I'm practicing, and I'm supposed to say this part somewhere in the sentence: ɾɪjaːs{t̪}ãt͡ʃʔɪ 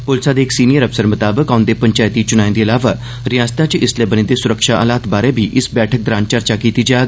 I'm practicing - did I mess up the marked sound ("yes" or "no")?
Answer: no